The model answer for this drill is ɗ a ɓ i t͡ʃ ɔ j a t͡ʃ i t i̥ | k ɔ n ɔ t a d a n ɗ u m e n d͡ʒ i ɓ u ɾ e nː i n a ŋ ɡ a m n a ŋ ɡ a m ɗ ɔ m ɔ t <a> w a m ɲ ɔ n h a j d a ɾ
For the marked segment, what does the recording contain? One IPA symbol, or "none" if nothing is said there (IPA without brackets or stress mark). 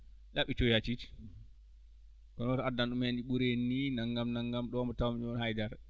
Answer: a